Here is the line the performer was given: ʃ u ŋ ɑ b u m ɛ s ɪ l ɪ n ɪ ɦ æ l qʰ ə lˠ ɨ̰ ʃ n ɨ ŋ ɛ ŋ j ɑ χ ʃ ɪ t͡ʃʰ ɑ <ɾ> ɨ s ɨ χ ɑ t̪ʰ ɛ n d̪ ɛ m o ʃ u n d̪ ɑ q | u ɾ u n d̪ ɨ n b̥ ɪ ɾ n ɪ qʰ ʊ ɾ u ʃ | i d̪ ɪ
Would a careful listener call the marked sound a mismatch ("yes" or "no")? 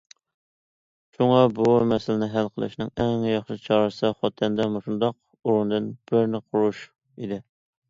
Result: no